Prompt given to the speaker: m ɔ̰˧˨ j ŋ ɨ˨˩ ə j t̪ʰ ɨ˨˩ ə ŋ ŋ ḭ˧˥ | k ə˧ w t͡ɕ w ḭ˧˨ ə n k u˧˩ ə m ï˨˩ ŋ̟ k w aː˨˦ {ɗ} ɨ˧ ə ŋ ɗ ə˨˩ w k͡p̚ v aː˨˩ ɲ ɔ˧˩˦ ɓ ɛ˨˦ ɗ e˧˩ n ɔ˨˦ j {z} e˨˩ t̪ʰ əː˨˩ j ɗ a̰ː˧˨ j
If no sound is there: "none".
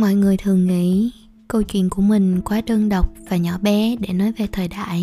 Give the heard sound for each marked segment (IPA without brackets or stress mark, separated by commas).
ɗ, v